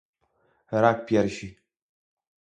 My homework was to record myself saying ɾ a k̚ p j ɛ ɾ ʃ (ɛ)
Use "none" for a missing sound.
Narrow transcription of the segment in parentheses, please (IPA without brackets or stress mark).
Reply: i